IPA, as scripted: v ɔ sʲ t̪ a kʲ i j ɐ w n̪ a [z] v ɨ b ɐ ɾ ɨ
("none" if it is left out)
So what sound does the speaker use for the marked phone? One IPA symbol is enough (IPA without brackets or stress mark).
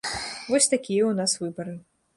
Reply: s